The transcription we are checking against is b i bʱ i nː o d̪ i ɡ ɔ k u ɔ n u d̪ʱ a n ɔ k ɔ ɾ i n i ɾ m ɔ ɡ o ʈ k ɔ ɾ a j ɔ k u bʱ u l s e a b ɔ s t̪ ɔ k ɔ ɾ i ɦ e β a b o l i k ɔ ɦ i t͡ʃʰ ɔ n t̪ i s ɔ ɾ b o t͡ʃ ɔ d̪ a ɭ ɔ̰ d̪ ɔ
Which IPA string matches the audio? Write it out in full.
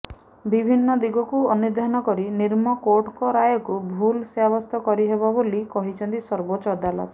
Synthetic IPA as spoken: b i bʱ i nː ɔ d̪ i ɡ ɔ k u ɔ n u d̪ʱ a n ɔ k ɔ ɾ i n i ɾ m ɔ k o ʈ k ɔ ɾ a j ɔ k u bʱ u l s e a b ɔ s t̪ ɔ k ɔ ɾ i ɦ e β a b o l i k ɔ ɦ i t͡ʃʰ ɔ n t̪ i s ɔ ɾ b o t͡ʃ ɔ d̪ a l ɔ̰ t̪ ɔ